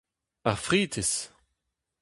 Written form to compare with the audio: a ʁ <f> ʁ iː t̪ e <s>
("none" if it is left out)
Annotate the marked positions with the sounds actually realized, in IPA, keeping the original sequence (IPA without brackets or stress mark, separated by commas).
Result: f, s